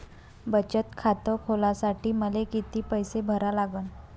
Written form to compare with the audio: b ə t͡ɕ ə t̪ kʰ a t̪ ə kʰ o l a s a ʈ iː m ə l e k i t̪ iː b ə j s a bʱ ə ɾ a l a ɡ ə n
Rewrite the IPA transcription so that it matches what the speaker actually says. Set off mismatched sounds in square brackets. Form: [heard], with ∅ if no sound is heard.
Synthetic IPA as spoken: b ə t͡ɕ ə t̪ kʰ a t̪ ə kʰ o l a s a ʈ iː m ə l e k i t̪ iː [p] ə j s [e] bʱ ə ɾ a l a ɡ ə n